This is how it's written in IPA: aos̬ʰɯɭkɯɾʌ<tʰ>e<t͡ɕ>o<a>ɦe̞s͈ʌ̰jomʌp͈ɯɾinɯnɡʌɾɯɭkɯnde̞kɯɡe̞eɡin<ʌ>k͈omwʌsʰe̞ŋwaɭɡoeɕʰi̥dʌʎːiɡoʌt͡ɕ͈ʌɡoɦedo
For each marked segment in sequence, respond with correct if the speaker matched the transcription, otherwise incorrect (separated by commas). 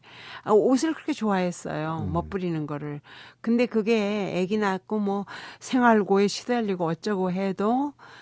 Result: incorrect, correct, correct, incorrect